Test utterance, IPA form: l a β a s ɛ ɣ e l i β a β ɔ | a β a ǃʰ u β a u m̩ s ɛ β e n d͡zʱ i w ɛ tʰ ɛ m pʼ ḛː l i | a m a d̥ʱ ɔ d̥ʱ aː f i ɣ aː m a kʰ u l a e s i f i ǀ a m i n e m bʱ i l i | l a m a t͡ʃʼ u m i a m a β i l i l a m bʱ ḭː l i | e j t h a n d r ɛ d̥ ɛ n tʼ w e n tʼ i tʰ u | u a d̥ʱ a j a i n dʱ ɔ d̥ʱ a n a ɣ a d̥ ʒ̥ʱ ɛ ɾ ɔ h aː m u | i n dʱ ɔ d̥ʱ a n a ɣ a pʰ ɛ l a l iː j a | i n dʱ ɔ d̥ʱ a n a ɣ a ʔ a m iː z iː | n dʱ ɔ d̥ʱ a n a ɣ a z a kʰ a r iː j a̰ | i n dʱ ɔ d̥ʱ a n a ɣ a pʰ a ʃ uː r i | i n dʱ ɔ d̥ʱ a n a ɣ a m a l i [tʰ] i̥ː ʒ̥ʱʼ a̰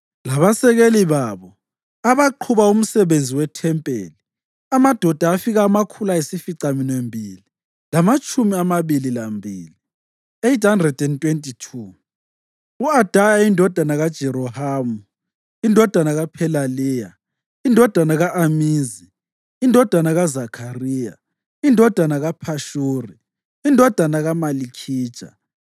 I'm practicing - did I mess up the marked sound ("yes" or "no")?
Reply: yes